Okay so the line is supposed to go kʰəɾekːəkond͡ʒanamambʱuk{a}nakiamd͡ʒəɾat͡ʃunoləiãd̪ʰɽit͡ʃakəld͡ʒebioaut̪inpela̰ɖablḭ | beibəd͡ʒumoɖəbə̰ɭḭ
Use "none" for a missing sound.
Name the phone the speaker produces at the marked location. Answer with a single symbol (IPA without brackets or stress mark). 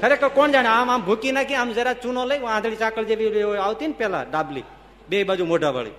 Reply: i